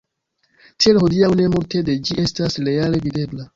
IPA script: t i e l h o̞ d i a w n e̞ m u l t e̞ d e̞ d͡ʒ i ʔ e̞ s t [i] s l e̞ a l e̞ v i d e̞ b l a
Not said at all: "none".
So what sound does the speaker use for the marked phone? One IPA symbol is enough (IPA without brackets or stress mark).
a